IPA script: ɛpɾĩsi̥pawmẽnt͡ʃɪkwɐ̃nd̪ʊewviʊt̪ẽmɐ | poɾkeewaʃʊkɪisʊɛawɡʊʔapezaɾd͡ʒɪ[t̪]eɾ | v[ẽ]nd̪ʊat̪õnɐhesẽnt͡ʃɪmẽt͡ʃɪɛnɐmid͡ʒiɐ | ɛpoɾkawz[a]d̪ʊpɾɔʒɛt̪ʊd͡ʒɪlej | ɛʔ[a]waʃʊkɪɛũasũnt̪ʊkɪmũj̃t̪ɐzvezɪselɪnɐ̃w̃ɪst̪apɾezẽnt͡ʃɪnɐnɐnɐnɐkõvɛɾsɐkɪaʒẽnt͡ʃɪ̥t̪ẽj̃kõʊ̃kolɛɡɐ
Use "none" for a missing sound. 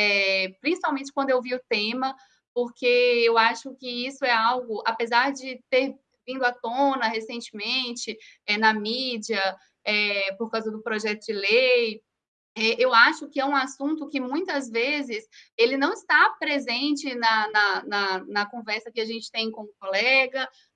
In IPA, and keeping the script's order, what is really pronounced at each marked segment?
t̪, ĩ, ɐ, e

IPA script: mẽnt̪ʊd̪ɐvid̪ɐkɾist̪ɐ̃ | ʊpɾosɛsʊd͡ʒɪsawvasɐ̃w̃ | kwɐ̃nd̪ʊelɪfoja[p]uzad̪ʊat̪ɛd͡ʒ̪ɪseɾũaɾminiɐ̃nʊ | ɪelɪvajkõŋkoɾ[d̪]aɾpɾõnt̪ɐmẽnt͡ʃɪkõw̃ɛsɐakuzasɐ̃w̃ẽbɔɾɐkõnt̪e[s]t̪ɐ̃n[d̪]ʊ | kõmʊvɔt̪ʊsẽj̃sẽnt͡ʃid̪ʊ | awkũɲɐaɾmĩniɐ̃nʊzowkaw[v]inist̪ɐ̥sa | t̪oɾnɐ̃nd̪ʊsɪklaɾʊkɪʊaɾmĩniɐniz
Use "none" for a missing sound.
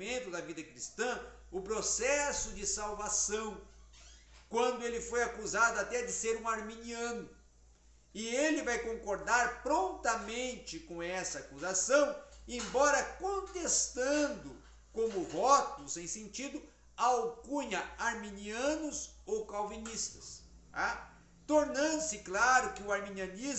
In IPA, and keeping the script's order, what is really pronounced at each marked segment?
k, d̪, s, d̪, v

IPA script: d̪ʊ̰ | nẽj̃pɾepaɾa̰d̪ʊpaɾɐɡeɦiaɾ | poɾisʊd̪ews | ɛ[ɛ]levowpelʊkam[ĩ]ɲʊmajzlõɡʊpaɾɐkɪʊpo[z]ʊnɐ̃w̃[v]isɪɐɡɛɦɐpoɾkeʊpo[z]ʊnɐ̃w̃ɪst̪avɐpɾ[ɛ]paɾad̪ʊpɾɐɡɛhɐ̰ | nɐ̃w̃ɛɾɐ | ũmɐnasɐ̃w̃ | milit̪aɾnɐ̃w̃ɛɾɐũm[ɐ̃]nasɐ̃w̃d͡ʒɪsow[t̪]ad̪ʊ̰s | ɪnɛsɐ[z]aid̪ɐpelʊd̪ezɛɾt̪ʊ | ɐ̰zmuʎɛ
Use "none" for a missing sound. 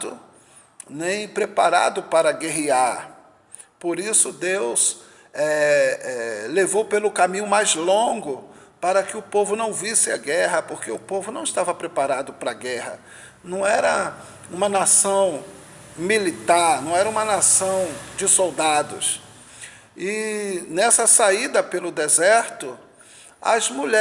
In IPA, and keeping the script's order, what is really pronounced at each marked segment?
ɛ, ĩ, v, v, v, e, ɐ, d̪, s

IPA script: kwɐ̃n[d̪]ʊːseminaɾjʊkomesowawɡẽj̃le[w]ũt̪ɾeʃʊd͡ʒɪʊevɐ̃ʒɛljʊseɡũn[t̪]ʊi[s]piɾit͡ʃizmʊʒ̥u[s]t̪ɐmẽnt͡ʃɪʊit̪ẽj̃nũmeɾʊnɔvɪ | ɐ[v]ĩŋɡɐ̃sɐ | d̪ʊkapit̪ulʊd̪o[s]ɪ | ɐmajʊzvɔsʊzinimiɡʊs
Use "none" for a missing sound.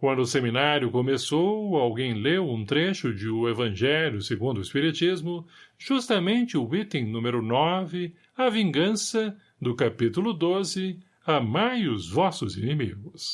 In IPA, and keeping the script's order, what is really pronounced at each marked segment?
d̪, w, d̪, s, s, v, z

